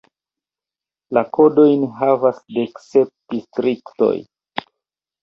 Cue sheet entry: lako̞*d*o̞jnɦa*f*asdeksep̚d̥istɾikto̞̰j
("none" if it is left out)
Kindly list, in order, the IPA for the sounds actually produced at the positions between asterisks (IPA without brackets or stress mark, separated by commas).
d, v